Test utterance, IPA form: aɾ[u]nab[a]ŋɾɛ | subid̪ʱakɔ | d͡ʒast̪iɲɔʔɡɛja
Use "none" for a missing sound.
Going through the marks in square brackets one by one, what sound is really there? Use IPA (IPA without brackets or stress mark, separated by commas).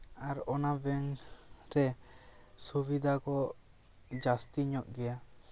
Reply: ɔ, ɛ